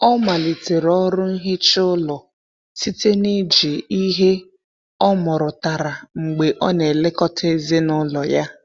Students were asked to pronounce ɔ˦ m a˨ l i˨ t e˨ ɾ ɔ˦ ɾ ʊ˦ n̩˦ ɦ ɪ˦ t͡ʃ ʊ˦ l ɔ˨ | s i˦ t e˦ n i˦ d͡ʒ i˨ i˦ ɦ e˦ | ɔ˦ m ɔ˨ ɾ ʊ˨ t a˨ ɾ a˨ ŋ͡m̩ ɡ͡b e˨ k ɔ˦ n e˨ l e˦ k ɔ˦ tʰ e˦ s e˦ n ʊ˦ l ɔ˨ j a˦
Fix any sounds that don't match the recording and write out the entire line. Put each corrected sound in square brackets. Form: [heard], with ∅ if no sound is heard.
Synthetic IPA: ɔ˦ m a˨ l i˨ t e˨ ɾ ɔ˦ ɾ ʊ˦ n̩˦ ɦ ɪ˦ t͡ʃ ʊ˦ l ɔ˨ | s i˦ t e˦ n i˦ d͡ʒ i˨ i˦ ɦ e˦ | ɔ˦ m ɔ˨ ɾ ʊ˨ t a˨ ɾ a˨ ŋ͡m̩ ɡ͡b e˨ [ʔ] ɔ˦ n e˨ l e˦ k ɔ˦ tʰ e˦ [z] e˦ n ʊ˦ l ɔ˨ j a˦